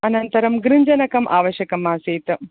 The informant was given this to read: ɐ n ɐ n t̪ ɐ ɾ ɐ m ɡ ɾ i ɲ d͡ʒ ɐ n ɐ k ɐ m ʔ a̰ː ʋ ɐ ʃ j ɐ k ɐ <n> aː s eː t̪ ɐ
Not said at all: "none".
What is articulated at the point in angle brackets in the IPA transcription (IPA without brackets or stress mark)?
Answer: m